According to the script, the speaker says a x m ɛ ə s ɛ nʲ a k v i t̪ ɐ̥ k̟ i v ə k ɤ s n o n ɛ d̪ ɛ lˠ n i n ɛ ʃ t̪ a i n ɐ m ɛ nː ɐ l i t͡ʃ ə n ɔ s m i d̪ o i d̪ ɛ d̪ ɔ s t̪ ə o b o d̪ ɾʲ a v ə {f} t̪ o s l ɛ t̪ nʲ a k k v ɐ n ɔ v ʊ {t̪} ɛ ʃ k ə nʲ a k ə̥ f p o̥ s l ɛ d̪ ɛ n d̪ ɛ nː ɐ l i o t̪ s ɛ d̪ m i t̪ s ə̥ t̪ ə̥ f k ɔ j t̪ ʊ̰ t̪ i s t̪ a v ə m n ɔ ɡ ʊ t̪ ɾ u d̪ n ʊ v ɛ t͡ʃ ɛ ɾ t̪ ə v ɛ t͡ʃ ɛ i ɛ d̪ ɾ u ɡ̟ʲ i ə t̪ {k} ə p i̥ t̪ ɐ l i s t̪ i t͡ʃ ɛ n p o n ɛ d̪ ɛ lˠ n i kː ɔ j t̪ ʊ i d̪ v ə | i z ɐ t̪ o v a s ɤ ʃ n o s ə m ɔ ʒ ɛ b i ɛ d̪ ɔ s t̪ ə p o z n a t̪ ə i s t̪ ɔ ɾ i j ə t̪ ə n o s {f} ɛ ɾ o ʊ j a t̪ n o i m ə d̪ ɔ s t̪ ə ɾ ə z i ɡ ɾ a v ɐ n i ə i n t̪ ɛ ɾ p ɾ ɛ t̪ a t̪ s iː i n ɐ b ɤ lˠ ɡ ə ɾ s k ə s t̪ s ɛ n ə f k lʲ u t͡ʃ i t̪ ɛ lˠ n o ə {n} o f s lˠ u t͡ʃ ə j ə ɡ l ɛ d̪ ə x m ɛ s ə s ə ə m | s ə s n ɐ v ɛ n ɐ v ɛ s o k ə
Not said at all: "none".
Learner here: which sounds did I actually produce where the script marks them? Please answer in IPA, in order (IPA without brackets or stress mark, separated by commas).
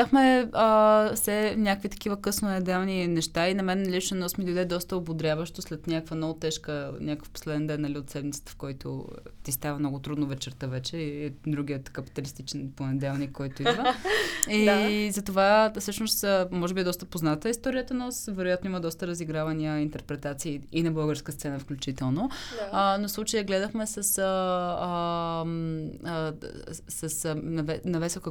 ʃ, t̪, k, v, n